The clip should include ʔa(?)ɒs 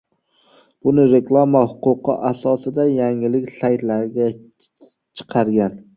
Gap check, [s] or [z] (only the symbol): s